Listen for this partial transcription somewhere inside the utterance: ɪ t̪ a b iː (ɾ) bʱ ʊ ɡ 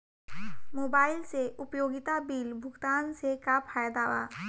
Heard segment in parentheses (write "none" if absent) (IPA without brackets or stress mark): l